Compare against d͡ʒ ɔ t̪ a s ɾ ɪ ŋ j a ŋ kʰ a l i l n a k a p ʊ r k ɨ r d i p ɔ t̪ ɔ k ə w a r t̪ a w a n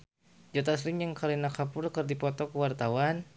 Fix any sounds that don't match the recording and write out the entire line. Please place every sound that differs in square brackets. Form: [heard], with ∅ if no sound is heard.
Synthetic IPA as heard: d͡ʒ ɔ t̪ a s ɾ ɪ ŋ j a ŋ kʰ a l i [∅] n a k a p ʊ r k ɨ r d i p ɔ t̪ ɔ k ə w a r t̪ a w a n